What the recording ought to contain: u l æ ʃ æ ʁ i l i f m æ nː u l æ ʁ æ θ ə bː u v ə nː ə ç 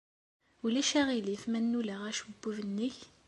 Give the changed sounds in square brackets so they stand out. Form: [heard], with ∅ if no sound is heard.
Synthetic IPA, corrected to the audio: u l æ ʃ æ ʁ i l i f m æ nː u l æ ʁ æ [ʃ] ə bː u v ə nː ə ç